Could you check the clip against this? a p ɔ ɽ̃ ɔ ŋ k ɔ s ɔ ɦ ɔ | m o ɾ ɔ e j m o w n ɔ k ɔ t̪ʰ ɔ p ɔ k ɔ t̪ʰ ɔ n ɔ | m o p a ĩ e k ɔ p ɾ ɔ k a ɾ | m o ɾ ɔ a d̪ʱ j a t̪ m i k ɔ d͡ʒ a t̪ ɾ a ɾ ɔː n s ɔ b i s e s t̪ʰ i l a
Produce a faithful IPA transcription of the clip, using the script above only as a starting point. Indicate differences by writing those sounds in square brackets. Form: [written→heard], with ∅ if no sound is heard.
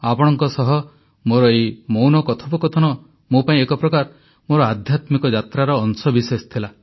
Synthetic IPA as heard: a p ɔ ɽ̃ ɔ ŋ k ɔ s ɔ ɦ ɔ | m o ɾ ɔ e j m o w n ɔ k ɔ t̪ʰ ɔ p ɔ k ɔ t̪ʰ ɔ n ɔ | m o p a ĩ e k ɔ p ɾ ɔ k a ɾ | m o ɾ ɔ a d̪ʱ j a t̪ m i k ɔ d͡ʒ a t̪ ɾ a ɾ ɔː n s ɔ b i s e s t̪ʰ i l a